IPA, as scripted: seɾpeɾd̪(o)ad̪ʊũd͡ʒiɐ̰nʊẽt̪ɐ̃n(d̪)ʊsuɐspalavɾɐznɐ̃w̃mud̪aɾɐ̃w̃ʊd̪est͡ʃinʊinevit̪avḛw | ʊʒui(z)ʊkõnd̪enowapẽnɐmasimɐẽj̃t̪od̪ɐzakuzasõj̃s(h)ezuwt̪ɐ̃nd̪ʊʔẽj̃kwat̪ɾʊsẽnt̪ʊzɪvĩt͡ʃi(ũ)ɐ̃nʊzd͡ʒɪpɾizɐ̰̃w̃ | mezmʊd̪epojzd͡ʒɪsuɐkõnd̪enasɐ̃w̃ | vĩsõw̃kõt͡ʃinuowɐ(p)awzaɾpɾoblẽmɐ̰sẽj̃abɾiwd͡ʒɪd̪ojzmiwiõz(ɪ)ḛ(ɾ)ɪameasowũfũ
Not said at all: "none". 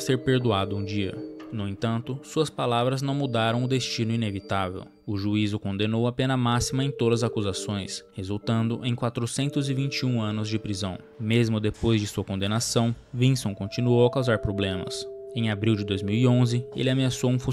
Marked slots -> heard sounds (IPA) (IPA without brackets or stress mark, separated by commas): u, t̪, z, h, ũ, k, ɪ, l